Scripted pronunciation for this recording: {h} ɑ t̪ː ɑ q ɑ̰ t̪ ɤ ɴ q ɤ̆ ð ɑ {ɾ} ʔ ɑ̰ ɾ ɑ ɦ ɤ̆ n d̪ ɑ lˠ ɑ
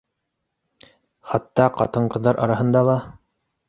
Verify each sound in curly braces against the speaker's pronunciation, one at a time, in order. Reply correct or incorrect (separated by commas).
incorrect, correct